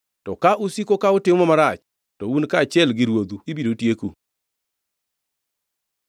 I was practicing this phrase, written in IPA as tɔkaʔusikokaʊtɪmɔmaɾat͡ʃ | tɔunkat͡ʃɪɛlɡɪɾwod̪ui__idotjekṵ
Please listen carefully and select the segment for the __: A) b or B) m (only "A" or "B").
A